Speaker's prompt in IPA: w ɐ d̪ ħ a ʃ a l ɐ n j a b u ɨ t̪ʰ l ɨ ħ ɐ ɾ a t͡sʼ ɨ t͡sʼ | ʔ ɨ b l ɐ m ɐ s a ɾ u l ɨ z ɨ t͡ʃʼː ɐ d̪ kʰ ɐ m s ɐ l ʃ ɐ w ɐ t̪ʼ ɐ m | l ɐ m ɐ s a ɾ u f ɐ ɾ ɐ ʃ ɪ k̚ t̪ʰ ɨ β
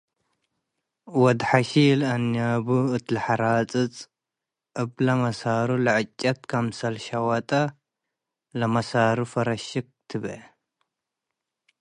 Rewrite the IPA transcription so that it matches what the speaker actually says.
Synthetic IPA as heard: w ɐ d̪ ħ a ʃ i l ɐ n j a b u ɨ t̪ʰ l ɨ ħ a ɾ a t͡sʼ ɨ t͡sʼ | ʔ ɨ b l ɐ m ɐ s a ɾ u l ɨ ʕ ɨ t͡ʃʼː ɐ t̪ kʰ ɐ m s ɐ l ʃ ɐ w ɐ t̪ʼ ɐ | l ɐ m ɐ s a ɾ u f ɐ ɾ ɐ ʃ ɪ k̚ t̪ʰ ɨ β

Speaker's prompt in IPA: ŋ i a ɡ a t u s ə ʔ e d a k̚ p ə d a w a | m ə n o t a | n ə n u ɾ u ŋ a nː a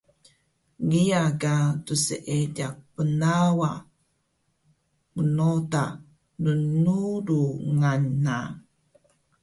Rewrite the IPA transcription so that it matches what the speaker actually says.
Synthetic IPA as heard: ŋ i a ɡ a t u s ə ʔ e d a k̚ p ə n a w a | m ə n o t a | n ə n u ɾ u ŋ a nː a

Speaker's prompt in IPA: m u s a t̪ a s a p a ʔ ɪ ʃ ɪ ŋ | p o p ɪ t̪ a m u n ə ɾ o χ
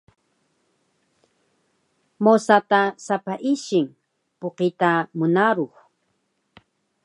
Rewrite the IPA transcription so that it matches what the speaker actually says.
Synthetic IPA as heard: m o s a t̪ a s a p a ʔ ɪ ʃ ɪ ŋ | p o q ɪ t̪ a m ʊ n a ɾ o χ

